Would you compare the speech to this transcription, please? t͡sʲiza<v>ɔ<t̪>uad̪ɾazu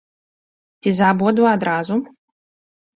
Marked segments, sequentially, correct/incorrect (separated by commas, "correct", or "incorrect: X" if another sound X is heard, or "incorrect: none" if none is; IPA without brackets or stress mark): incorrect: b, incorrect: d̪